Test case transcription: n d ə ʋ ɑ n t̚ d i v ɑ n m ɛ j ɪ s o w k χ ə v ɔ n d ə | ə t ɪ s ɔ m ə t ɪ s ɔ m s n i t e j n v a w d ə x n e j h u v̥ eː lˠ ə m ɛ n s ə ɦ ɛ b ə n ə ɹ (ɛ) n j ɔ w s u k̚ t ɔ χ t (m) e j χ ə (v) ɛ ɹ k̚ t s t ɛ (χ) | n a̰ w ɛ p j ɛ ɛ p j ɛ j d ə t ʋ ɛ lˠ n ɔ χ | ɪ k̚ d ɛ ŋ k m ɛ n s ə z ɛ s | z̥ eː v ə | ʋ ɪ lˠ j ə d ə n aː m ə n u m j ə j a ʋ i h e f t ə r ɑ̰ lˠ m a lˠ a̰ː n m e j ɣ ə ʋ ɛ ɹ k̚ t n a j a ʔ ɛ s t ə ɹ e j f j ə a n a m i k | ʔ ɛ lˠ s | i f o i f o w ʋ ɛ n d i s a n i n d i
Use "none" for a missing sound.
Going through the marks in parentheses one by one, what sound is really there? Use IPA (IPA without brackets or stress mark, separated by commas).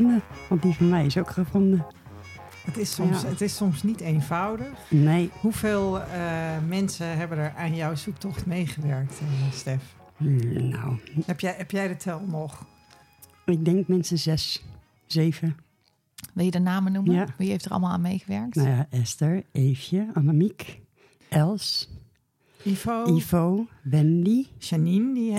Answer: a, m, ʋ, f